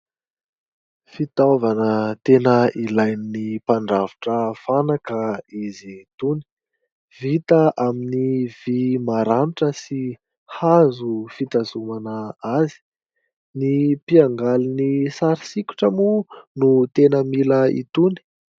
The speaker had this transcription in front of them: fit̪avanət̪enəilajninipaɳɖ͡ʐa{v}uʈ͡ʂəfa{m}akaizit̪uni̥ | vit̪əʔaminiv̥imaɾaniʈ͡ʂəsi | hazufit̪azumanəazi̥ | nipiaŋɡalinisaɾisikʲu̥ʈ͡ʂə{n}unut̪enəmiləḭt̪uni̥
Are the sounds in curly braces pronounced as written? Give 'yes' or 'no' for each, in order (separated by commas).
yes, no, no